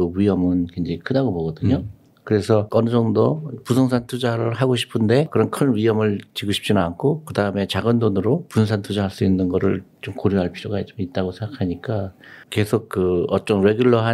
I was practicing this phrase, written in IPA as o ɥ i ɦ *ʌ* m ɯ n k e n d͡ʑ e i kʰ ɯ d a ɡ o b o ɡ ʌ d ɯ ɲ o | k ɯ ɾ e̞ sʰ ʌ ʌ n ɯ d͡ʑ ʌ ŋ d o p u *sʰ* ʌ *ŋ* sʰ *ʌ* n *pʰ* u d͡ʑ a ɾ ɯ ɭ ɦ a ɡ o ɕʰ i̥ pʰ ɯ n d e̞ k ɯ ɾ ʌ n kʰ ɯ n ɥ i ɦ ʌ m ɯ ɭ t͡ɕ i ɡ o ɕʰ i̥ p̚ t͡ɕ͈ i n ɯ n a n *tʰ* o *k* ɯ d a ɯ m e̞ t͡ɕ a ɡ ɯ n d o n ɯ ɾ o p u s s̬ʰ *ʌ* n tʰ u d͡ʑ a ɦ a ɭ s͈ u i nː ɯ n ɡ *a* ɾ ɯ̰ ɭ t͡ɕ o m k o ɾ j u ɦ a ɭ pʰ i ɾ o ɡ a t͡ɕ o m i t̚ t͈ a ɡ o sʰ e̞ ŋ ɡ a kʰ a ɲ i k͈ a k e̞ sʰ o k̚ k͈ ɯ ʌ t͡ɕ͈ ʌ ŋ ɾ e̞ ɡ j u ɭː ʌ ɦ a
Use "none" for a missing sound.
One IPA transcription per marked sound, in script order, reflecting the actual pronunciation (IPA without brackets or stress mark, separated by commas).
ʌ, sʰ, ŋ, a, tʰ, kʰ, k, a, ʌ